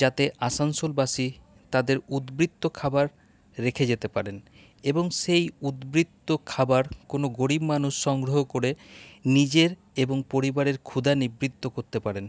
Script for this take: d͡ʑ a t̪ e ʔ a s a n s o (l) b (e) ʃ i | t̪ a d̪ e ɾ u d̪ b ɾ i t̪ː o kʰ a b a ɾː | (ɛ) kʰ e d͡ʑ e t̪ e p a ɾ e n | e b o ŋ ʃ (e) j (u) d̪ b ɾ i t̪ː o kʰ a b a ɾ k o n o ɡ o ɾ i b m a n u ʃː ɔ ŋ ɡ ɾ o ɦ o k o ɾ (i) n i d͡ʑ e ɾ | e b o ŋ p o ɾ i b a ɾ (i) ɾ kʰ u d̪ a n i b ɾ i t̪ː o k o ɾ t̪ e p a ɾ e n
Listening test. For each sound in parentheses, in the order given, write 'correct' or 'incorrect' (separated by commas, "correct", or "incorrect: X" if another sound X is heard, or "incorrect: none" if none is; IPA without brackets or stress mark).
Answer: correct, incorrect: a, incorrect: e, correct, correct, incorrect: e, incorrect: e